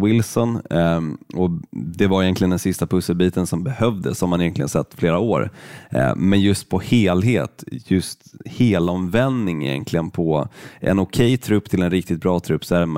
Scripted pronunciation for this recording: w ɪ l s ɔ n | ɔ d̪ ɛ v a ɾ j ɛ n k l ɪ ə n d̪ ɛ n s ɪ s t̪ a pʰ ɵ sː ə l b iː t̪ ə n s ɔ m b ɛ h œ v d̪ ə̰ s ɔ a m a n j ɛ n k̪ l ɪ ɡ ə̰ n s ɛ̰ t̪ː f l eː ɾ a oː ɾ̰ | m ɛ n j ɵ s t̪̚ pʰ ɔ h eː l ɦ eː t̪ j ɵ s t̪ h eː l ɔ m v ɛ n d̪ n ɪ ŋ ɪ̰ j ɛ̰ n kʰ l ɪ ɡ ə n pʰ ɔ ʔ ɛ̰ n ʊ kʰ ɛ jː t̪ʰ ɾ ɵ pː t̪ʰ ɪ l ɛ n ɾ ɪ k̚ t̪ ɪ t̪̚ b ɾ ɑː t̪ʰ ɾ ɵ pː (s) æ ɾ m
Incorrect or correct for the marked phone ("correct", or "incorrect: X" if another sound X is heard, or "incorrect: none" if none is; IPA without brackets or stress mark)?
correct